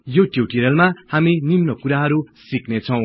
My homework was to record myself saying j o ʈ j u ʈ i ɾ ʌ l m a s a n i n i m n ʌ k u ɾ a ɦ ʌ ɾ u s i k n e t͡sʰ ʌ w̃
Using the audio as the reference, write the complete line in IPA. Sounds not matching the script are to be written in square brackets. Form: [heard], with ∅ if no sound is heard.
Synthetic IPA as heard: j o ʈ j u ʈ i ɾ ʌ l m a [h] a [m] i n i m n ʌ k u ɾ a ɦ ʌ ɾ u s i k n e t͡sʰ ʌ w̃